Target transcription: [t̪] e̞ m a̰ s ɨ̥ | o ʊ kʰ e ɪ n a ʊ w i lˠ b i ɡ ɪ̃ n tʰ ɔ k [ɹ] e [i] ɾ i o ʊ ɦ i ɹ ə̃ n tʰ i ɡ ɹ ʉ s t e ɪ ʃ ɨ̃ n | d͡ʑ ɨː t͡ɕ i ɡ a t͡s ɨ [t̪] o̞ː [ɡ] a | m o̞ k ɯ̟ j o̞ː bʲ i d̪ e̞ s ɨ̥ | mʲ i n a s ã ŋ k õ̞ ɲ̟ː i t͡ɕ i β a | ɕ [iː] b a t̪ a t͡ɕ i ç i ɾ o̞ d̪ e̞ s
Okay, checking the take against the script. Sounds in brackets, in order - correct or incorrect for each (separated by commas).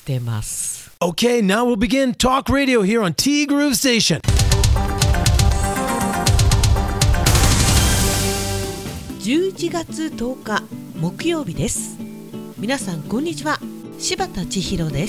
correct, correct, incorrect, correct, incorrect, incorrect